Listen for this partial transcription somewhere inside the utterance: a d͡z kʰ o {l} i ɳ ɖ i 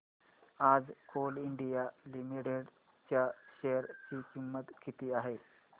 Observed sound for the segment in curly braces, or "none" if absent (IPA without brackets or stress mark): l